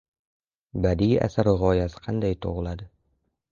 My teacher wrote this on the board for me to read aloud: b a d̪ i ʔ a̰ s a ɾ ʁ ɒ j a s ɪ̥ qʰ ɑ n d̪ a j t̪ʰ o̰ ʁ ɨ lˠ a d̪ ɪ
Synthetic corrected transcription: b a d̪ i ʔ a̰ s a ɾ ʁ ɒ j a s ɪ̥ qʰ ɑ n d̪ a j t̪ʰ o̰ ʁ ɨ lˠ a d̪ ɪ